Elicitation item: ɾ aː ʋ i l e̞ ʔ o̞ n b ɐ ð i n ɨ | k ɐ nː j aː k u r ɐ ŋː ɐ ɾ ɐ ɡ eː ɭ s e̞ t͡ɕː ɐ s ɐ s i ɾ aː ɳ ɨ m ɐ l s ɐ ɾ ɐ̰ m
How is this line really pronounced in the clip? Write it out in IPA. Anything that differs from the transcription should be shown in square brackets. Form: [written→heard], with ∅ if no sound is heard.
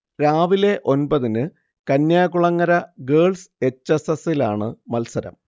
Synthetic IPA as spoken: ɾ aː ʋ i l e̞ ʔ o̞ n b ɐ ð i n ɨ | k ɐ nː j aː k u [r→ɭ] ɐ ŋː ɐ ɾ ɐ ɡ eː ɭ s e̞ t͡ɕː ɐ s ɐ s i [ɾ→l] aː ɳ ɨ m ɐ l s ɐ ɾ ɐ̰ m